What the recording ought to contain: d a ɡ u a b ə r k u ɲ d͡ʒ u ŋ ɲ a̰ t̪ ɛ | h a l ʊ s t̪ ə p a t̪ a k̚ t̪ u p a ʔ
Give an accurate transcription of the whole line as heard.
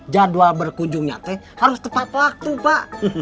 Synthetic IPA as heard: d͡ʒ a d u a b ə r k u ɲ d͡ʒ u ŋ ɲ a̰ t̪ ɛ | h a ɾ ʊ s t̪ ə p a t̪ a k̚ t̪ u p a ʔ